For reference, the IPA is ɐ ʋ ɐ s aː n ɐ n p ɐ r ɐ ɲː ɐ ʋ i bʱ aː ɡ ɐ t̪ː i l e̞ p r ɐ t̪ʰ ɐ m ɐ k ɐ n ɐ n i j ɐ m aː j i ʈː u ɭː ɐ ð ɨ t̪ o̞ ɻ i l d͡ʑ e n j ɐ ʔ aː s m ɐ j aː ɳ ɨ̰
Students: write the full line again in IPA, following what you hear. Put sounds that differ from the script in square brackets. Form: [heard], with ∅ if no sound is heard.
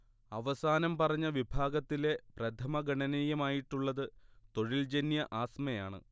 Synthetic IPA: ɐ ʋ ɐ s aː n ɐ [m] p ɐ r ɐ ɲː ɐ ʋ i bʱ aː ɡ ɐ t̪ː i l e̞ p r ɐ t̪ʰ ɐ m ɐ [ɡ] ɐ [ɳ] ɐ n i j ɐ m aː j i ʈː u ɭː ɐ ð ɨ t̪ o̞ ɻ i l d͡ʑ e n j ɐ ʔ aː s m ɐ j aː ɳ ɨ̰